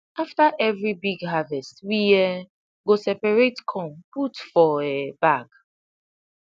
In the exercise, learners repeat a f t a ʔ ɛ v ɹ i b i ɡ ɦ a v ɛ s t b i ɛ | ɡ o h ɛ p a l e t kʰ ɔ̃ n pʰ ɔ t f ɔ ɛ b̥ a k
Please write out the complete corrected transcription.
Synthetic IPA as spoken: a f t a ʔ ɛ v ɹ i b i ɡ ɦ a v ɛ s t w i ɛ | ɡ o s ɛ p a ɹ e t kʰ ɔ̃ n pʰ u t f ɔ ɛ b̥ a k